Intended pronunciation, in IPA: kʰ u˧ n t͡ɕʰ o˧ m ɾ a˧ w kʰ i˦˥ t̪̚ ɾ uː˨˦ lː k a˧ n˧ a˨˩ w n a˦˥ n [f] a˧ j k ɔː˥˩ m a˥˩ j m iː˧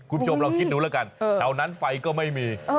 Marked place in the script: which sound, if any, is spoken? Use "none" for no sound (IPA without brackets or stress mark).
f